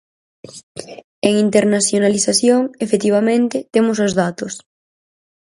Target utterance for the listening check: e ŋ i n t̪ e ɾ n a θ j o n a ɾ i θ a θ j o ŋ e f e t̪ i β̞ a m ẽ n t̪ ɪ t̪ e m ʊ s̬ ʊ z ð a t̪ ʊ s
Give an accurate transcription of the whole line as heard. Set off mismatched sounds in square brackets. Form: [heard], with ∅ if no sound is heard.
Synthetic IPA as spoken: e ŋ i n t̪ e ɾ n a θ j o n a [l] i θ a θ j o ŋ e f e t̪ i β̞ a m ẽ n t̪ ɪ t̪ e m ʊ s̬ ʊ z ð a t̪ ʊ s